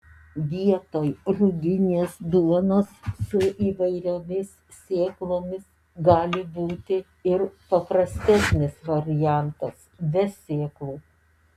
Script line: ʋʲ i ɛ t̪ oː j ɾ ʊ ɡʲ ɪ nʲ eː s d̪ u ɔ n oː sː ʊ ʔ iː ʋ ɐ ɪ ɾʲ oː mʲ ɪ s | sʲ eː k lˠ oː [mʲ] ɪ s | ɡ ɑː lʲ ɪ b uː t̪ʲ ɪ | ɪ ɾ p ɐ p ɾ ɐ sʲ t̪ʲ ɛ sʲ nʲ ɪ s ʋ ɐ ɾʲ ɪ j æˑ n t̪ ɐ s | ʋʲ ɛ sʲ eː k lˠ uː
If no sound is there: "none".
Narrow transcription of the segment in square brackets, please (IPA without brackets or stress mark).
mʲ